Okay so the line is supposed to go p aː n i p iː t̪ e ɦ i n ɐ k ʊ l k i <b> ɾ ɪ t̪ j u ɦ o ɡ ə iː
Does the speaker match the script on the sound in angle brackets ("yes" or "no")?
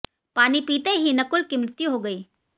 no